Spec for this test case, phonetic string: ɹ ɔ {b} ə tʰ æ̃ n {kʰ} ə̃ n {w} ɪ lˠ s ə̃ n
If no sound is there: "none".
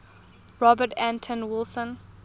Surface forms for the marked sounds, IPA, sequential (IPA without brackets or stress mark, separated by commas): b, tʰ, w